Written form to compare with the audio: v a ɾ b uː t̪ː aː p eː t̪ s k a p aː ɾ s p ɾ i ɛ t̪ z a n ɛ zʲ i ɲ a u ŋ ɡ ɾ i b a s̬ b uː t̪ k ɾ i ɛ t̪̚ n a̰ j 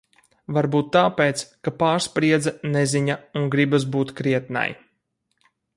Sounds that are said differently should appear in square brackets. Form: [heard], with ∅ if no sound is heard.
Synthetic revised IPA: v a ɾ b uː t̪ː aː p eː t̪ s k a p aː ɾ s p ɾ i ɛ [d̪] z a n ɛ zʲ i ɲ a u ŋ ɡ ɾ i b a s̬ b uː t̪ k ɾ i ɛ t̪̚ n a̰ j